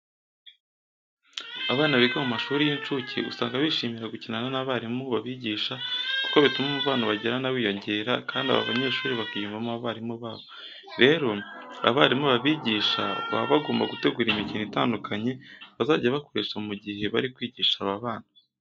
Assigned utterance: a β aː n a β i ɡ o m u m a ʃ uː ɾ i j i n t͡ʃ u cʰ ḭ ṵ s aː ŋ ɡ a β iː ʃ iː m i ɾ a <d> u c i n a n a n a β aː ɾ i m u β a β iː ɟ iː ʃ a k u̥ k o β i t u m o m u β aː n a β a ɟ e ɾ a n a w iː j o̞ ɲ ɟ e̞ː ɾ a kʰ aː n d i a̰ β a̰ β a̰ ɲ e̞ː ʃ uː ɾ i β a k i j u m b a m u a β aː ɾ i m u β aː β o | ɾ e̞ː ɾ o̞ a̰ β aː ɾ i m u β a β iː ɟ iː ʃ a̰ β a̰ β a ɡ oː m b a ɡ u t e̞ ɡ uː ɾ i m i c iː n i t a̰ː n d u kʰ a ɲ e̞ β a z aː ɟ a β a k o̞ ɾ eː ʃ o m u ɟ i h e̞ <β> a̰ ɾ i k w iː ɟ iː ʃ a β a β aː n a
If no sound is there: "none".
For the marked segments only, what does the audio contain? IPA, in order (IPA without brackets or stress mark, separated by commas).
ɡ, β